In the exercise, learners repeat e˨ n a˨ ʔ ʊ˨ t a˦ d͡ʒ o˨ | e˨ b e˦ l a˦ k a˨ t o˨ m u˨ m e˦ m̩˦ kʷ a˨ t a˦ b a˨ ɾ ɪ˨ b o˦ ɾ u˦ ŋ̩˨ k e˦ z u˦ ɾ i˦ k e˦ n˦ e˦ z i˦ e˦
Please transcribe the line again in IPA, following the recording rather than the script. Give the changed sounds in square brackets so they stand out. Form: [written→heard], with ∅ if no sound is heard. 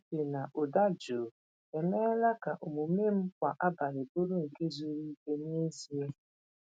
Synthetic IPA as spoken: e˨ n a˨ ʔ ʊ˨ [t→d] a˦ d͡ʒ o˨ | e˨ [b→m] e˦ l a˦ k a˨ [t→ʔ] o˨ m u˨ m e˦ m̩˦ kʷ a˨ [t→ʔ] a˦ b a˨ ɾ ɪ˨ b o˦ ɾ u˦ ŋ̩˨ k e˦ z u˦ ɾ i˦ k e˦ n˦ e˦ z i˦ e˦